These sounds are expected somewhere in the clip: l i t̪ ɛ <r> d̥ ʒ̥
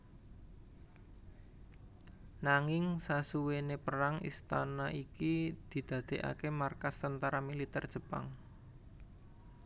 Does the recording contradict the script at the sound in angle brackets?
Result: no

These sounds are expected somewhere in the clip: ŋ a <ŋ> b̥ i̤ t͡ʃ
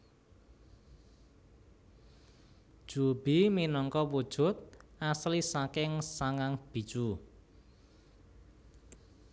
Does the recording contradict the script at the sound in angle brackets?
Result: no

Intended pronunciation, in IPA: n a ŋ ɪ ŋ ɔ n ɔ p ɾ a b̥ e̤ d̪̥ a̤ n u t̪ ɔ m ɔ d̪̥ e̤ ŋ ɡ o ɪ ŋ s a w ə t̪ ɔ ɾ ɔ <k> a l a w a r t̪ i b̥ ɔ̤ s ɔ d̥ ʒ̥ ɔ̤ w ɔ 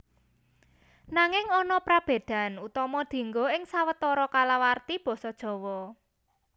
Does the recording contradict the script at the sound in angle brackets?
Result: no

